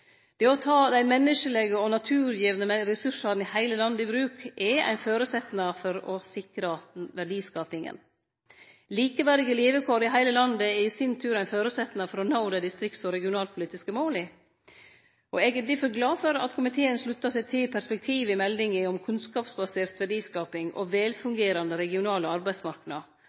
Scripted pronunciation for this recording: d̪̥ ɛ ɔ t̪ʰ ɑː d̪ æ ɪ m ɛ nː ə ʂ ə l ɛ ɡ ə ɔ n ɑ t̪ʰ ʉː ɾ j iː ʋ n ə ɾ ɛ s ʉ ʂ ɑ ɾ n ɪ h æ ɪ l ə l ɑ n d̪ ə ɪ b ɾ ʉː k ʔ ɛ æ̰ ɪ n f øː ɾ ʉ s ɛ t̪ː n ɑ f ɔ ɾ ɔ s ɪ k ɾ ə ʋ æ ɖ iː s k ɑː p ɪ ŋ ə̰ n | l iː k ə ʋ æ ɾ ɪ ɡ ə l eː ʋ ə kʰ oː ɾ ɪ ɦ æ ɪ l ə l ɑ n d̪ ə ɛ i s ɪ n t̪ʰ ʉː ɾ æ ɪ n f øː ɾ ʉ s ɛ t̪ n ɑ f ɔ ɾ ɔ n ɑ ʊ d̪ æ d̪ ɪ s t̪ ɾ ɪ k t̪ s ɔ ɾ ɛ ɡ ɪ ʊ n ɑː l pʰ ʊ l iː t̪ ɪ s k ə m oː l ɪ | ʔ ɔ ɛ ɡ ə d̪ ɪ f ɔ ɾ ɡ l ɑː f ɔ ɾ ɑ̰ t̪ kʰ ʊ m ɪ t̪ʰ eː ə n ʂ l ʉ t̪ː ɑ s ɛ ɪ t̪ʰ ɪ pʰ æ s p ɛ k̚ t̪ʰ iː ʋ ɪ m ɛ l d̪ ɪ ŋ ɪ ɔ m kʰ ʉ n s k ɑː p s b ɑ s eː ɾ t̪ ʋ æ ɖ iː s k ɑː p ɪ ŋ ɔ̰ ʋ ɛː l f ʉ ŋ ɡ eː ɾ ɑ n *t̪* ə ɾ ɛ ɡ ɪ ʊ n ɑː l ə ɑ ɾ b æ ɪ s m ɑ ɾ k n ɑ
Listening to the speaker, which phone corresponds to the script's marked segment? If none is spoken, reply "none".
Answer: d̪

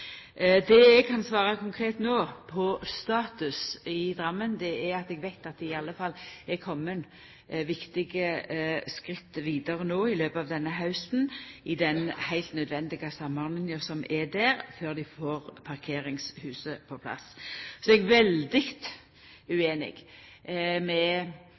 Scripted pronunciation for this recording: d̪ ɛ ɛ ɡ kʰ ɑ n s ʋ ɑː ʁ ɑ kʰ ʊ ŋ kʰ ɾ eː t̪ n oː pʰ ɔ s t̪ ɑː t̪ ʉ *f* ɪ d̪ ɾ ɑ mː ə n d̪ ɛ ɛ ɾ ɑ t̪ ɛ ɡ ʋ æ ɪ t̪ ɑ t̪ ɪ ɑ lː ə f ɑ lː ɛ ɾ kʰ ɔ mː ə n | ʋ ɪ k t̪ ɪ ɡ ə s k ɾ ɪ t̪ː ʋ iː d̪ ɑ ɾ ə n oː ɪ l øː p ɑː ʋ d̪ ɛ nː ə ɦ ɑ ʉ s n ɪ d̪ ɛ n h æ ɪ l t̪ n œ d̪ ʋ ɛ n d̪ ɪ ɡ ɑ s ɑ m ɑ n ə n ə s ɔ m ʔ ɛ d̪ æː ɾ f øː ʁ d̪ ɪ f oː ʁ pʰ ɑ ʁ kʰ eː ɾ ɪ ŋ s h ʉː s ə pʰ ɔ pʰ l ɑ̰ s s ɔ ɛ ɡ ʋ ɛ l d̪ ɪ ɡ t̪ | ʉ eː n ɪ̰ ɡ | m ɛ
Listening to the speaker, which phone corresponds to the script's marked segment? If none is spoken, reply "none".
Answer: s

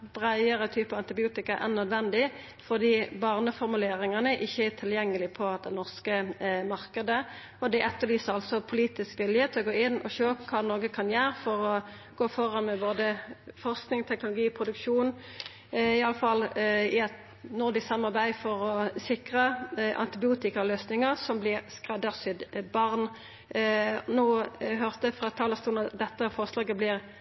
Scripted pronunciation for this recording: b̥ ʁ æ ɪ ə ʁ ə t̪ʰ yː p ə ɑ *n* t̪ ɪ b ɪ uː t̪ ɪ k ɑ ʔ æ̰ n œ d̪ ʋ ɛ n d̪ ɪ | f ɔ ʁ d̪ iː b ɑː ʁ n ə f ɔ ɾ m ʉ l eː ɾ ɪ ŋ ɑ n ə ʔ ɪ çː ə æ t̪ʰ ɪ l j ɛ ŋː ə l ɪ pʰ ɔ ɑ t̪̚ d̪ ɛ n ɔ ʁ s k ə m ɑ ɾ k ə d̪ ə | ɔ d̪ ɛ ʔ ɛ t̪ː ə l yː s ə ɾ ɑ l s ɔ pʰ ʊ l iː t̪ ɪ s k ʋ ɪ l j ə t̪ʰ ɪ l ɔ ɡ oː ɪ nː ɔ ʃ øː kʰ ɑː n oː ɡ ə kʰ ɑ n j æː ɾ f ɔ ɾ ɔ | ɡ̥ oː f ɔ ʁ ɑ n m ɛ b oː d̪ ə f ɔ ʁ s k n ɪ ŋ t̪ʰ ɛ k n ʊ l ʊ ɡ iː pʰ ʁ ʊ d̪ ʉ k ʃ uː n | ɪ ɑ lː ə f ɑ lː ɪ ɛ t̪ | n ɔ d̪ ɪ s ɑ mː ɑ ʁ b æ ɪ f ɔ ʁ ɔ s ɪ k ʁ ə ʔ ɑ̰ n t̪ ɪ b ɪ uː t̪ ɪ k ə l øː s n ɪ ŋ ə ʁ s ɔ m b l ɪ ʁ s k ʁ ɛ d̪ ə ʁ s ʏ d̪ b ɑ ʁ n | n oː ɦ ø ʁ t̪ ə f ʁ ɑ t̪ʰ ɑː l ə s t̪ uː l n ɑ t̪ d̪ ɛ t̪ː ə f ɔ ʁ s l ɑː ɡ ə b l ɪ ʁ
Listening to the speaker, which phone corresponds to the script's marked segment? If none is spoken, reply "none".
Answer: n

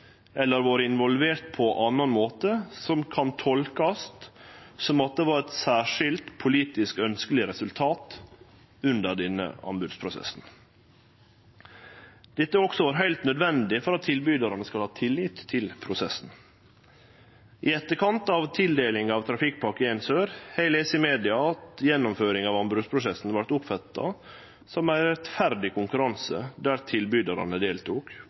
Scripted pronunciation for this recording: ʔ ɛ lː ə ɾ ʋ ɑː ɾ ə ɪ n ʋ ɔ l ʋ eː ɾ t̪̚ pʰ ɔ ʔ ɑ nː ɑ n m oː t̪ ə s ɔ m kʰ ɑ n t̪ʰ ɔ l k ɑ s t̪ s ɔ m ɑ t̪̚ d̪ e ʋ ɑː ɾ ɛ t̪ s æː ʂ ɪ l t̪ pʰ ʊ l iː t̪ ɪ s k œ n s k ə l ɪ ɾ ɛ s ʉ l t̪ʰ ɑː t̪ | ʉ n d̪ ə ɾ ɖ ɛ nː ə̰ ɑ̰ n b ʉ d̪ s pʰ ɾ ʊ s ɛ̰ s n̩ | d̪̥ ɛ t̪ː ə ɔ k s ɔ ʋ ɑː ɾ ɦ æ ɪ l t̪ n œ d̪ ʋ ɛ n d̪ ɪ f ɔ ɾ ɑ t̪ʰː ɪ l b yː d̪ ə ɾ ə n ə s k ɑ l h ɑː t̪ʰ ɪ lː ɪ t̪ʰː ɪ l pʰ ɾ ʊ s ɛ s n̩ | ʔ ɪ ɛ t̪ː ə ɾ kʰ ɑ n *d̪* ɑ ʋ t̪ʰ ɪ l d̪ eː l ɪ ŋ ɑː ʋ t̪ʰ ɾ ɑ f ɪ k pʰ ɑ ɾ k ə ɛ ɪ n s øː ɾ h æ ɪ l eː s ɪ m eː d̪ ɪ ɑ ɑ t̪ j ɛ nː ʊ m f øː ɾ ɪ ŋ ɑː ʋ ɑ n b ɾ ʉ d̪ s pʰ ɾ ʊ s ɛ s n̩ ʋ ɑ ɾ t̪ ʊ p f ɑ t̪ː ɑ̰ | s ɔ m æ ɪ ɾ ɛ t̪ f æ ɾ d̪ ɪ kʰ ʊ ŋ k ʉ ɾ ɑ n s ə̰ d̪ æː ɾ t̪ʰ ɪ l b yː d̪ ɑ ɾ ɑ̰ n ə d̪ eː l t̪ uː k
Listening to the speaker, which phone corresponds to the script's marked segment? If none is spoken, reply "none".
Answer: t̪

